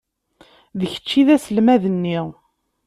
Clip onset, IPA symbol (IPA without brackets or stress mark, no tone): ð